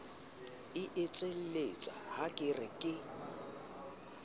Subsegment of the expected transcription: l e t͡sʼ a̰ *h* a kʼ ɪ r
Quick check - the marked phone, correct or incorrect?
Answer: correct